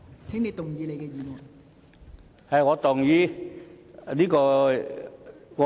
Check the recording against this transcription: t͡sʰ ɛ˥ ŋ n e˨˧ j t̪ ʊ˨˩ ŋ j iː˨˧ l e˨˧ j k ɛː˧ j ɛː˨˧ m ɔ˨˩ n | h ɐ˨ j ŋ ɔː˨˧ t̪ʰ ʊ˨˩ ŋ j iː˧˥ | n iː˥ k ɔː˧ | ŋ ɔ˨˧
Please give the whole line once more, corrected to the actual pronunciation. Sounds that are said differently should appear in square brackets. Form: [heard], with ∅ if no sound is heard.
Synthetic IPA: t͡sʰ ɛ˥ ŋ n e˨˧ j t̪ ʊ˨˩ ŋ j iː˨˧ l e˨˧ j k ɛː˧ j [iː˨˧] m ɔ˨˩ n | h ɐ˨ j ŋ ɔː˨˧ [t̪] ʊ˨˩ ŋ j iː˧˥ | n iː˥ k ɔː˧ | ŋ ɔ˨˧